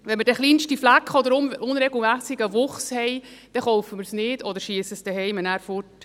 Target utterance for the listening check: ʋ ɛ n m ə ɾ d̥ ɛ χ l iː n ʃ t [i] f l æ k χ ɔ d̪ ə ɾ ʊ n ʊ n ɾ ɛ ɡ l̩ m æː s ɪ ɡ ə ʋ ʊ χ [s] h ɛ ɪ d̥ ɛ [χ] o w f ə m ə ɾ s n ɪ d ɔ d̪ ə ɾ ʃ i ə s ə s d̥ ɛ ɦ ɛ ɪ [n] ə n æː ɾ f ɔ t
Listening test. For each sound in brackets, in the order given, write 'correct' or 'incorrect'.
correct, correct, correct, incorrect

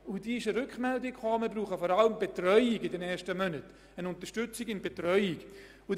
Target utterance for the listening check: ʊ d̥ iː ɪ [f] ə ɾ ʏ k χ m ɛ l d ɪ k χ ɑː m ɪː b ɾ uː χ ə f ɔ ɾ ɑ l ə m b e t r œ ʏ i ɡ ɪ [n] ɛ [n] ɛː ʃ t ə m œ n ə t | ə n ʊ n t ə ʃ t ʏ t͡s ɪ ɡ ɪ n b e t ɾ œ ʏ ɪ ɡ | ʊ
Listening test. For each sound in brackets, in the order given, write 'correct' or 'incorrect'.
incorrect, incorrect, correct

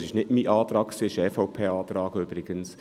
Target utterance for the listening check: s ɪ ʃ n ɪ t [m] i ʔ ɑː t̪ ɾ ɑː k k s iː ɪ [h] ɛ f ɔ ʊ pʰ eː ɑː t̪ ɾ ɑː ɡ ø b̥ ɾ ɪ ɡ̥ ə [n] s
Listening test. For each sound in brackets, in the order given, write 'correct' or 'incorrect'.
correct, incorrect, correct

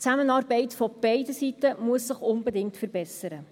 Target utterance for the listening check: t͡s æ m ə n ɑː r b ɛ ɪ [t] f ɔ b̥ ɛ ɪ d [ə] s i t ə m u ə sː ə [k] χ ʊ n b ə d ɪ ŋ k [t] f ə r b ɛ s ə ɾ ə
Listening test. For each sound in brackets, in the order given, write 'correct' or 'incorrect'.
correct, correct, incorrect, correct

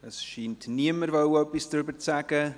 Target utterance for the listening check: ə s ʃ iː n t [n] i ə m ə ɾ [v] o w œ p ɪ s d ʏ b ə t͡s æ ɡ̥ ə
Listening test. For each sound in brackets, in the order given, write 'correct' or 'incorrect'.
correct, correct

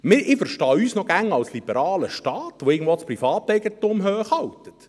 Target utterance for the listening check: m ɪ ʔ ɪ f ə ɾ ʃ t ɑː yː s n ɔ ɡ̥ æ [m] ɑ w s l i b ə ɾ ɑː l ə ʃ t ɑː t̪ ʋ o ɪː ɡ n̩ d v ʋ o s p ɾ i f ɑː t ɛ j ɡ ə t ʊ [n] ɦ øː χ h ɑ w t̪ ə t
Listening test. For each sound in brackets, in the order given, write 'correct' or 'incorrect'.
incorrect, incorrect

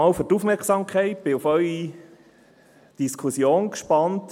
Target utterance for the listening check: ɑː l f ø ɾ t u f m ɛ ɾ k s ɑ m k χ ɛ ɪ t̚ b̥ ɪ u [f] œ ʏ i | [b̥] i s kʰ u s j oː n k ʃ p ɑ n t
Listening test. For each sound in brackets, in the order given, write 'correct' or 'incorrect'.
correct, incorrect

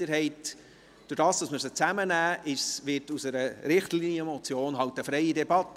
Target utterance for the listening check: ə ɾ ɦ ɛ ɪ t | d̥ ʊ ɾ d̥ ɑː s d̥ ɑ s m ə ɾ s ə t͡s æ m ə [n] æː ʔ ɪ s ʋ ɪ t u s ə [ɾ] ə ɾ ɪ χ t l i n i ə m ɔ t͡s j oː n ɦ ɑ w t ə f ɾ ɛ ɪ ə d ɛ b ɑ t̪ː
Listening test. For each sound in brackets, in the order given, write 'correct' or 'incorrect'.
correct, correct

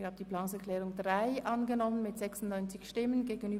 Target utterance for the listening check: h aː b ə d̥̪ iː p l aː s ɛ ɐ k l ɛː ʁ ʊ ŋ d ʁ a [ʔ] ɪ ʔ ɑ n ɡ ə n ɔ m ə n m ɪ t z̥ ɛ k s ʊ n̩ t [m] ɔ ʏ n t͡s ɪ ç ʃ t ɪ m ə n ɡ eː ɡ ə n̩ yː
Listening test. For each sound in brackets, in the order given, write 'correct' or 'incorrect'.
incorrect, incorrect

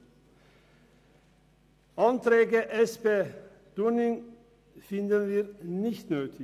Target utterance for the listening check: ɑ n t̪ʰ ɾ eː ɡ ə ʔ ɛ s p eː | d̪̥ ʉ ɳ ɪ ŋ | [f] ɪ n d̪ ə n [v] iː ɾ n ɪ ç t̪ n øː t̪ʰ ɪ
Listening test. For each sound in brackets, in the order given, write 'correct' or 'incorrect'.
correct, incorrect

